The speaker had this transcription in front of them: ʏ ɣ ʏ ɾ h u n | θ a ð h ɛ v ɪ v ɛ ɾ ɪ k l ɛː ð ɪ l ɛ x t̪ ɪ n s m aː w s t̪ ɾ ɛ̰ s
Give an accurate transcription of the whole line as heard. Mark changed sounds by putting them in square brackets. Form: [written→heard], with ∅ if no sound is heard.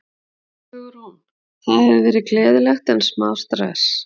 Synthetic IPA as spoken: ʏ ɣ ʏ ɾ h u n | θ a ð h ɛ v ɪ v [ɛ→ɛː] ɾ ɪ k l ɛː ð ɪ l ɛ x t̪ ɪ n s m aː w s t̪ ɾ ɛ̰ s

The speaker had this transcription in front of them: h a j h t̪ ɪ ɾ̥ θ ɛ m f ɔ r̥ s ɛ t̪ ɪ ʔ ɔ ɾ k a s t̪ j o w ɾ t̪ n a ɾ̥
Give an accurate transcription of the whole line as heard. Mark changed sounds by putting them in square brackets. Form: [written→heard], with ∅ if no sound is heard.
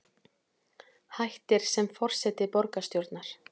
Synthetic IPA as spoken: h a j h t̪ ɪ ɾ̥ [θ→s] ɛ m f ɔ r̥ s ɛ t̪ ɪ [ʔ→p] ɔ ɾ k a s t̪ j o w ɾ t̪ n a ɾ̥

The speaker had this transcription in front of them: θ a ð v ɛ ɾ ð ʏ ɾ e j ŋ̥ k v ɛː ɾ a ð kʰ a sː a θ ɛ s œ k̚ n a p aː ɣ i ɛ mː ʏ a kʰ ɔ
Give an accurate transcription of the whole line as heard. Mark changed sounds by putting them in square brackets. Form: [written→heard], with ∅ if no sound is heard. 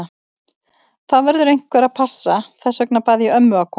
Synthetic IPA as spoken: θ a ð v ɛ ɾ ð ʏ ɾ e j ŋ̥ k v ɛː ɾ a ð [kʰ→pʰ] a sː a θ ɛ s œ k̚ n a p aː [ɣ→ð] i [ɛ→œ] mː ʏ a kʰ ɔ

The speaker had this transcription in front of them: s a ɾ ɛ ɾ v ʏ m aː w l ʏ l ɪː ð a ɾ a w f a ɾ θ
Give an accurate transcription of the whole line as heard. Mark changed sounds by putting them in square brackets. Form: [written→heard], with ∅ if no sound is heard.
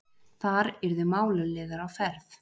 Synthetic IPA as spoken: [s→θ] a ɾ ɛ ɾ [v→ð] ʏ m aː w l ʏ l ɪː ð a ɾ a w f [a→ɛ] ɾ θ

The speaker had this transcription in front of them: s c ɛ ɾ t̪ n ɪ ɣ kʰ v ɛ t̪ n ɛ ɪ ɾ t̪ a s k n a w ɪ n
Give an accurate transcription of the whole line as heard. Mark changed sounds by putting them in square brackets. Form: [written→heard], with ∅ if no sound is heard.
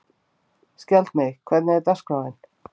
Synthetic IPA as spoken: s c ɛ [ɾ→l] t̪ [n→m] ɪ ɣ kʰ v ɛ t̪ n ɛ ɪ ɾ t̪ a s k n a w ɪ n

